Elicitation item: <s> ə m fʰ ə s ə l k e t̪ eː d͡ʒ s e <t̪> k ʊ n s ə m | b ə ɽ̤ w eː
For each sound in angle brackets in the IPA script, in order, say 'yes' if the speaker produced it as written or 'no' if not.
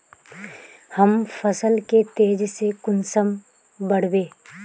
no, no

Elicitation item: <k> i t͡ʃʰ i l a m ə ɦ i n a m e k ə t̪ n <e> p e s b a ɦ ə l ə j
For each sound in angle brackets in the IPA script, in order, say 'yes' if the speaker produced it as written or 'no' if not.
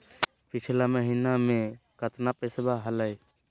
no, no

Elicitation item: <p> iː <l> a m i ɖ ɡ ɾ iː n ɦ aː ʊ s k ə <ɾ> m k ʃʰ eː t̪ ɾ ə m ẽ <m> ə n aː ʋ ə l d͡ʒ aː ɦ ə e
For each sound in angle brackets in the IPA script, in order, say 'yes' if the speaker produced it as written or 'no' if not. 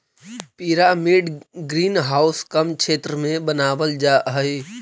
yes, no, no, no

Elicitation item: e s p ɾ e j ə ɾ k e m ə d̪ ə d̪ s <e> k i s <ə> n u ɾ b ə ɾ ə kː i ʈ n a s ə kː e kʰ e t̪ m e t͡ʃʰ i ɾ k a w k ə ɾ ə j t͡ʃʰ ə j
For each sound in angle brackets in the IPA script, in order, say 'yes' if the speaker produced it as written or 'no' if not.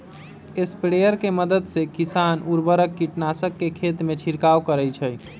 yes, no

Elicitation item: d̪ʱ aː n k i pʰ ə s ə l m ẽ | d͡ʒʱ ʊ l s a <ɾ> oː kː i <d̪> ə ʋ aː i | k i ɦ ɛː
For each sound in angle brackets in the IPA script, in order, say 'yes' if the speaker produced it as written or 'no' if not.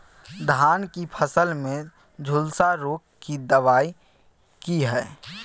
yes, yes

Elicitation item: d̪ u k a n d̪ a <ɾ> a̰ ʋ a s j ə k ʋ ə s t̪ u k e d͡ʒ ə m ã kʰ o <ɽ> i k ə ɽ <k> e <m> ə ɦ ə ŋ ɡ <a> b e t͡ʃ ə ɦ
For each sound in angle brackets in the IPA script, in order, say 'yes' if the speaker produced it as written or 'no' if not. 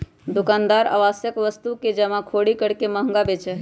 yes, yes, yes, yes, yes

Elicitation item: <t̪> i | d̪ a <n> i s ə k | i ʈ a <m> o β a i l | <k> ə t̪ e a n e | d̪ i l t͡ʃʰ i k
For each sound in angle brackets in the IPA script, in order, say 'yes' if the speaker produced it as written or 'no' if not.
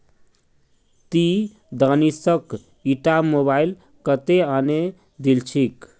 yes, yes, yes, yes

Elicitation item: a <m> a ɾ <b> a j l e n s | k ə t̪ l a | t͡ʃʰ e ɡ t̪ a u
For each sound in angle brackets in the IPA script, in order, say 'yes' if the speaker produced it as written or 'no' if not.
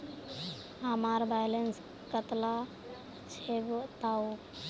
yes, yes

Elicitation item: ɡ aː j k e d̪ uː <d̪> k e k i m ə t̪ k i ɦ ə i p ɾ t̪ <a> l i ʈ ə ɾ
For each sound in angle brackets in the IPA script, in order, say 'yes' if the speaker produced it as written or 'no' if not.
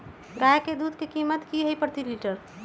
yes, no

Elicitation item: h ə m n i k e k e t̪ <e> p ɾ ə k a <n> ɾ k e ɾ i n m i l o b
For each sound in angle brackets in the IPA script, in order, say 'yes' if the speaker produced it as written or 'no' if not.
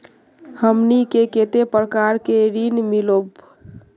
yes, no

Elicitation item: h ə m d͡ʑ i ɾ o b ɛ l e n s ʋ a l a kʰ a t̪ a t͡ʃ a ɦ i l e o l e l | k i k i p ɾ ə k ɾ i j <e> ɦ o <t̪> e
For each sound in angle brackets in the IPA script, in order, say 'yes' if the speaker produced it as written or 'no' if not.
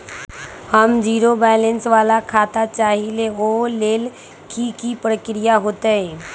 no, yes

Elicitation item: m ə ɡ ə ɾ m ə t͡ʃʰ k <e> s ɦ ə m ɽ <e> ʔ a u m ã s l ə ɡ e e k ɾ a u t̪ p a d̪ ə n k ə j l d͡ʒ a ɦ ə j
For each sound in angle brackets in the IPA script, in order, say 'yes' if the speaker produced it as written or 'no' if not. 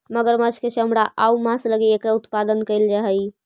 yes, no

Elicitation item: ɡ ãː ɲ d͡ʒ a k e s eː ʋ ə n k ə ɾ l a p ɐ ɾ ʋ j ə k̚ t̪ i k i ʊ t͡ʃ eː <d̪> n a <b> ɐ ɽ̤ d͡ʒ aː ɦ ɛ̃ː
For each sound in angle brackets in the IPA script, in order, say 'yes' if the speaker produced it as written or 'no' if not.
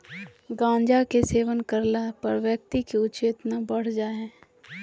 no, yes

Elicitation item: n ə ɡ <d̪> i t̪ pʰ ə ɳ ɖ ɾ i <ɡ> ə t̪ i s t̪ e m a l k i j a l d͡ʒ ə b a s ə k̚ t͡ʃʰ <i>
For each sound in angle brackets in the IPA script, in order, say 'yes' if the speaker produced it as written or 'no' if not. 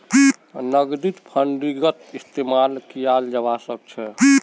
yes, yes, no

